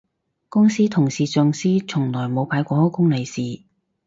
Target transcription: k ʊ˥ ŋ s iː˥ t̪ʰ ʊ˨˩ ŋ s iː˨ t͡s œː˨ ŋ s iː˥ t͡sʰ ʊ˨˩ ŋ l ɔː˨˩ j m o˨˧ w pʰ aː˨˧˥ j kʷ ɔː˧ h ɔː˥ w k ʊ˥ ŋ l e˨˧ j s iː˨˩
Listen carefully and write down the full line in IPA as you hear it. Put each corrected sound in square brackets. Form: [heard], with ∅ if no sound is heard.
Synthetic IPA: k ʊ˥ ŋ s iː˥ t̪ʰ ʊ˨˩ ŋ s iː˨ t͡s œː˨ ŋ s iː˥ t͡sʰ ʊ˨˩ ŋ l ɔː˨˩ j m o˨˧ w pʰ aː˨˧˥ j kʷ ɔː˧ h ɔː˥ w k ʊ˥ ŋ l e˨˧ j s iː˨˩